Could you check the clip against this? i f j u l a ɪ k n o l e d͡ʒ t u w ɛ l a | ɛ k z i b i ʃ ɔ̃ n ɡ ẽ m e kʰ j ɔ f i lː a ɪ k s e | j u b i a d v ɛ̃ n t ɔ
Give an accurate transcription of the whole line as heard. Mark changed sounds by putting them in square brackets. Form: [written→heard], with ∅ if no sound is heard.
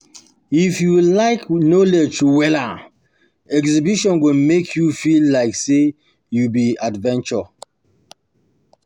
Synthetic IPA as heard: i f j u l a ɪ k n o l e d͡ʒ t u w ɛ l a | ɛ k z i b i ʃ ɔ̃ n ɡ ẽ m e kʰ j [ɔ→u] f i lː a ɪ k s e | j u b i a d v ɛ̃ n [t→t͡ʃ] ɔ